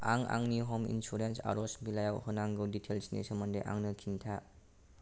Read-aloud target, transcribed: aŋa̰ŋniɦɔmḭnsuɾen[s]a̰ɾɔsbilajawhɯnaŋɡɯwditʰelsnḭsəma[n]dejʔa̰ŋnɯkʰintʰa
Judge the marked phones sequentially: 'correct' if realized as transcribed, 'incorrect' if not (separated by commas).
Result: correct, correct